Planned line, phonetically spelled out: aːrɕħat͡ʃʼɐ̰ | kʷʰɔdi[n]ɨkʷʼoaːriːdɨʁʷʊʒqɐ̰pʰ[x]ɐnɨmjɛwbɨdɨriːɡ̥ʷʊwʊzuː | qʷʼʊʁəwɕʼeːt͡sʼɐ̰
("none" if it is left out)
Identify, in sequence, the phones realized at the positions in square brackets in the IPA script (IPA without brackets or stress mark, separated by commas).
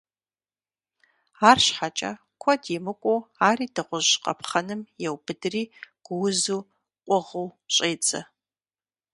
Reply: m, χ